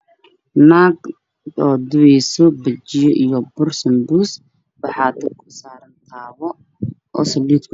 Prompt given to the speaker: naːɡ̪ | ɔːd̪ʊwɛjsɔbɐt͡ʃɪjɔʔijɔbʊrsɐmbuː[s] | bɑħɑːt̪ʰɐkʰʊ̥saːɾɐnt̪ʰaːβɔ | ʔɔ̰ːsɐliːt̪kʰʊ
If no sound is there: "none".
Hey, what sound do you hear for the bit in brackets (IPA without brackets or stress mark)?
s